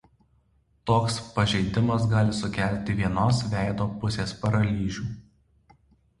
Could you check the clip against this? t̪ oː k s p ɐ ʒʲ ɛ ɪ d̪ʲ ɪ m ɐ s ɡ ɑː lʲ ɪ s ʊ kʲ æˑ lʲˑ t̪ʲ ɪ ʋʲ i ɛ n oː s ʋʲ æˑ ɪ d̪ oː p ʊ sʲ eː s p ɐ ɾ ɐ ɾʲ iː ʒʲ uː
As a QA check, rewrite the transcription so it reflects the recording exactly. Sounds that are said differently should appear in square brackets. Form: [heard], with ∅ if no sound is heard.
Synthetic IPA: t̪ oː k s p ɐ ʒʲ ɛ ɪ d̪ʲ ɪ m ɐ s ɡ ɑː lʲ ɪ s ʊ kʲ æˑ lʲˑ t̪ʲ ɪ ʋʲ i ɛ n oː s ʋʲ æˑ ɪ d̪ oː p ʊ sʲ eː s p ɐ ɾ ɐ [lʲ] iː ʒʲ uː